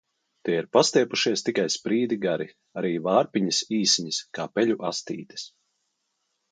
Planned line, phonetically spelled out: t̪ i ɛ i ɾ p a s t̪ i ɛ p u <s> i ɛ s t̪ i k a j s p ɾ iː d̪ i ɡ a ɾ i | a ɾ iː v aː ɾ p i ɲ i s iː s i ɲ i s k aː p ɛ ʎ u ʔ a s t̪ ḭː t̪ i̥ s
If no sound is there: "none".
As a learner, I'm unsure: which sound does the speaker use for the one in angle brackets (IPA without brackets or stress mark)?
ʃ